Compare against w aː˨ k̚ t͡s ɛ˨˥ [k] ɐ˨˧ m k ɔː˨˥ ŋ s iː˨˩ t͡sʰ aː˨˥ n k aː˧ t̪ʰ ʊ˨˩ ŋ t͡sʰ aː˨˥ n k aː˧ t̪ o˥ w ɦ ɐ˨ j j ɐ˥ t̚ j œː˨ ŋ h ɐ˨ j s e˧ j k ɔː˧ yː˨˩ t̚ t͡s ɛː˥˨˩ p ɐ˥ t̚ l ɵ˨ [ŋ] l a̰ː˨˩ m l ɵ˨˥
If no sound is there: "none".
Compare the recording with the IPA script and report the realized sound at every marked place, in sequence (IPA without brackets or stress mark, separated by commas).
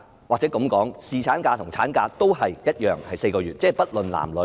k, n